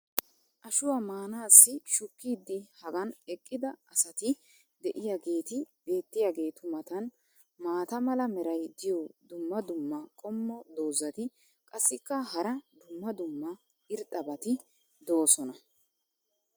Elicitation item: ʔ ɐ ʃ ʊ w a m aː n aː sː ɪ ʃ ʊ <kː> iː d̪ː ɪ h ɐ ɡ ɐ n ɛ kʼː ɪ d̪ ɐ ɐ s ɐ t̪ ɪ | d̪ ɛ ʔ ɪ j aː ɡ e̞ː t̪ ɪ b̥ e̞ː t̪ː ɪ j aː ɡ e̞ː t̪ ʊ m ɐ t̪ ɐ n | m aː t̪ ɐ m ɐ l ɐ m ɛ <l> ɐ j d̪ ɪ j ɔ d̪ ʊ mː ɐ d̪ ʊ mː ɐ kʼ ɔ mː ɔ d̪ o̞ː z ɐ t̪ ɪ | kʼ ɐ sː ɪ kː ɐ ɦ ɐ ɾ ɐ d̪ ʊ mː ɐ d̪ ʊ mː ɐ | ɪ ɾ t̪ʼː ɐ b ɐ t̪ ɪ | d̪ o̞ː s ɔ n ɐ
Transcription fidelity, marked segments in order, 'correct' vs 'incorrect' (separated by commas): correct, incorrect